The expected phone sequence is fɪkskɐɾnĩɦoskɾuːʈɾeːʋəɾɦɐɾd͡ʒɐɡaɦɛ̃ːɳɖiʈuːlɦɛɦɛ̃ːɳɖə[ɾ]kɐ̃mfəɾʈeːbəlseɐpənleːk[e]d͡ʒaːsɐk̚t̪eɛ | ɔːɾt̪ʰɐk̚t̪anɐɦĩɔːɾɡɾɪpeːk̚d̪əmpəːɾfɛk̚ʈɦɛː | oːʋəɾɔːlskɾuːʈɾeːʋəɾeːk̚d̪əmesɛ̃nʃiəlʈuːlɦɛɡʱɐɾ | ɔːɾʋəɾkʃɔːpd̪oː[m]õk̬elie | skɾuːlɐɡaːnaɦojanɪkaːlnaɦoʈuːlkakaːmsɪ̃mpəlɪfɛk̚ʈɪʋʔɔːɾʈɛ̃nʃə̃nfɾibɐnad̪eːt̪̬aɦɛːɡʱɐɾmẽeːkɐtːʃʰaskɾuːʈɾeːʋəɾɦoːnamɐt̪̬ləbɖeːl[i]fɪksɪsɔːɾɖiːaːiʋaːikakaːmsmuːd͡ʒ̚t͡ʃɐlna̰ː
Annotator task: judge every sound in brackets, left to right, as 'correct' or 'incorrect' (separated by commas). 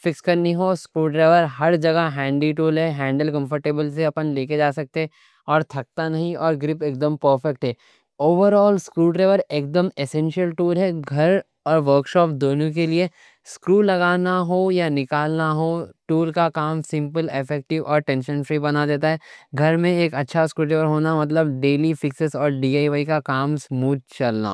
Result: incorrect, correct, incorrect, correct